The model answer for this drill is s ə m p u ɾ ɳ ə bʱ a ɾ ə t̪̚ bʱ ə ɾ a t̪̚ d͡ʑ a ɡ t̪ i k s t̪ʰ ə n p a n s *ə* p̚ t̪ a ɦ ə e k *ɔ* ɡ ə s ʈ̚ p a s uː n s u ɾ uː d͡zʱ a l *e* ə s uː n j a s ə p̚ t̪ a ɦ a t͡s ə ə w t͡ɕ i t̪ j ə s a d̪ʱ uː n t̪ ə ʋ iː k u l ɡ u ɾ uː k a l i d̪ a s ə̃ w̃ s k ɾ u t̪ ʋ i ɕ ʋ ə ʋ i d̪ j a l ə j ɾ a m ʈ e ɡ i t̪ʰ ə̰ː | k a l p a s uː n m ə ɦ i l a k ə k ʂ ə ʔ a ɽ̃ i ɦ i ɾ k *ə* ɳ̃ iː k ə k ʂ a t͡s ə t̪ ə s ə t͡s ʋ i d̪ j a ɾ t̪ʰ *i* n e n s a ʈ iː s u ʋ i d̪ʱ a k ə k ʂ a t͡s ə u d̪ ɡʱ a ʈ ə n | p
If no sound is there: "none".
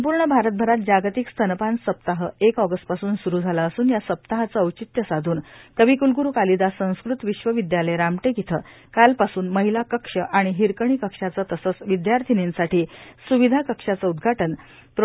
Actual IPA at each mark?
ə, ɔ, a, ə, i

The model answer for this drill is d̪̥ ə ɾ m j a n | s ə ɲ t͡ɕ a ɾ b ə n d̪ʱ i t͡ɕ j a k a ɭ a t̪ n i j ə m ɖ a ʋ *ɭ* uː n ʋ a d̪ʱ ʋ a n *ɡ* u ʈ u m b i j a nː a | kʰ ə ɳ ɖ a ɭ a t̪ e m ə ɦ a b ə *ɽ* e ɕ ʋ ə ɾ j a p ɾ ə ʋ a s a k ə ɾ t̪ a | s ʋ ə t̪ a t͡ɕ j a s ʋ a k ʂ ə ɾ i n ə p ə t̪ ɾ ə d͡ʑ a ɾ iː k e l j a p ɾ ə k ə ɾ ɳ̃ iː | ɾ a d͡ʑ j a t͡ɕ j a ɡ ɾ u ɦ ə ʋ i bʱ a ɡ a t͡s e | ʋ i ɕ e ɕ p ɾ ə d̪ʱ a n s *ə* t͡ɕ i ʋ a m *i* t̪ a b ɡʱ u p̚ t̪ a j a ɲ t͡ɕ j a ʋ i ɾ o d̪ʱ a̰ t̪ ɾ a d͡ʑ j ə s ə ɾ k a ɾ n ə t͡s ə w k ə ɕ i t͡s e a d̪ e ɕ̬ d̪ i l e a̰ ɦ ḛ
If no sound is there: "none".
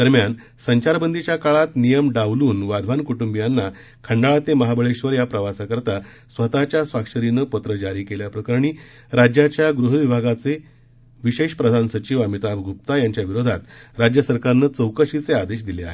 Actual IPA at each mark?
l, k, ɭ, ə, i

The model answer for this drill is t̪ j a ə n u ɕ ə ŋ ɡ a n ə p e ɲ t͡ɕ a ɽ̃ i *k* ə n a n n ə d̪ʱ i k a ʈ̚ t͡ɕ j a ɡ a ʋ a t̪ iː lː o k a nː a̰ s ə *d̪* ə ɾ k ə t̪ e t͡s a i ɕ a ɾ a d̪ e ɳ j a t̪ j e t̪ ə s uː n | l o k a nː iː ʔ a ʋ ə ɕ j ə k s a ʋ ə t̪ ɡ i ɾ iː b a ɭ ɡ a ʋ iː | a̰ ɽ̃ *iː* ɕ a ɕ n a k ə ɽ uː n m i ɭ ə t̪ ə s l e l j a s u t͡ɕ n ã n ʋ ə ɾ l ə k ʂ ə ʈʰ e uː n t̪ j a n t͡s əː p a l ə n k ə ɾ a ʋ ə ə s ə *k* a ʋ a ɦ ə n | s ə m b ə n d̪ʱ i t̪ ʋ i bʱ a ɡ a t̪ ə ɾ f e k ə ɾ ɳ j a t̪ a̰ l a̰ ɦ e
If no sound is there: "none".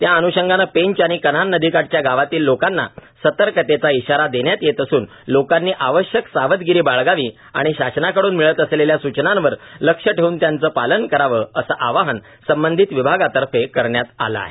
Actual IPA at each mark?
k, t̪, i, ʔ

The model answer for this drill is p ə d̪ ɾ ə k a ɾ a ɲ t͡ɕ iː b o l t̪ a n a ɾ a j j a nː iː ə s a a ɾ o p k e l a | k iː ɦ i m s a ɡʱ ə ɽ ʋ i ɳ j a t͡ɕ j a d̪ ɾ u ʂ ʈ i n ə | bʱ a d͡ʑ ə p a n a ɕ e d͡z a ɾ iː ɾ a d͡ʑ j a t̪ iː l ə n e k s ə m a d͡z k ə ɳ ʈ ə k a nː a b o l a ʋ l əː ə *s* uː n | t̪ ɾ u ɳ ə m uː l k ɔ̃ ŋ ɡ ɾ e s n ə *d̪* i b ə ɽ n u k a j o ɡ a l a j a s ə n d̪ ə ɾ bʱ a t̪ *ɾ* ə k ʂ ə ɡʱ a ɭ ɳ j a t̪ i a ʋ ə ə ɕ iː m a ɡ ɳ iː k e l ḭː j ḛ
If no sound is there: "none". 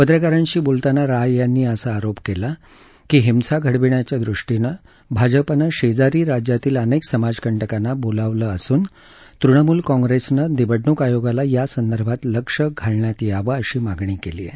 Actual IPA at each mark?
s, d̪, l

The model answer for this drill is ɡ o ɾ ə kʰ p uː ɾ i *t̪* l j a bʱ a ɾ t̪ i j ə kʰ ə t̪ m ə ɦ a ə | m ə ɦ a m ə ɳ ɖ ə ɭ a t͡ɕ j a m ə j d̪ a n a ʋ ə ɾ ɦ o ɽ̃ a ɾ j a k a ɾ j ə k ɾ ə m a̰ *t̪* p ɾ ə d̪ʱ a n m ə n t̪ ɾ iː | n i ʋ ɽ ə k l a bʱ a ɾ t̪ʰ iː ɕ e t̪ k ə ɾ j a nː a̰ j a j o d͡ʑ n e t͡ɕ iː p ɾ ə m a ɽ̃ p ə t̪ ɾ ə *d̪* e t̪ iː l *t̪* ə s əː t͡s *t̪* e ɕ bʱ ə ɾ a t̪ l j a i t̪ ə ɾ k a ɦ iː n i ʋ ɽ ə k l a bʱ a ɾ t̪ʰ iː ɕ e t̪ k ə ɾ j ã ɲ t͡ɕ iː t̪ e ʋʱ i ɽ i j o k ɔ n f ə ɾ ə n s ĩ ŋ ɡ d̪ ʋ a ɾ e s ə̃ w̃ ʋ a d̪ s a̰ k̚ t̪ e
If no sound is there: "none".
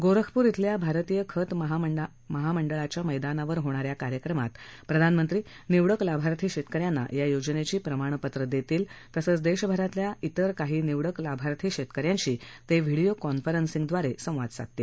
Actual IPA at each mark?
t̪ʰ, t̪, d̪, t̪, d̪

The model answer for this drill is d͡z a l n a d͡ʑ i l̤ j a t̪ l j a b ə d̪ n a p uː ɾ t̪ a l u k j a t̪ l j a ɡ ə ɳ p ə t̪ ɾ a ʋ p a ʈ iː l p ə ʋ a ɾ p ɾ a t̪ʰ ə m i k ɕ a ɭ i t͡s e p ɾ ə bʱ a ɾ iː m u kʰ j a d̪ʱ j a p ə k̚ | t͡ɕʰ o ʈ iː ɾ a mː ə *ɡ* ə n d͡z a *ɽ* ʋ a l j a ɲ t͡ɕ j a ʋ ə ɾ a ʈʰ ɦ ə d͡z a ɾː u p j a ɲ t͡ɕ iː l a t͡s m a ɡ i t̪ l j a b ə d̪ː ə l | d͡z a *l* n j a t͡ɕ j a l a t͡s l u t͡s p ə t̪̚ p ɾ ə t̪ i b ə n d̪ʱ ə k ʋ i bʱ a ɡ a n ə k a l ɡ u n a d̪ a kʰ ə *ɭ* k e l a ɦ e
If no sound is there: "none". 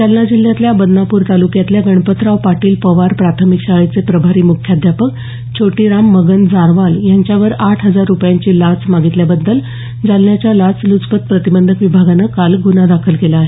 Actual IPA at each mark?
ɡ, ɾ, l, l

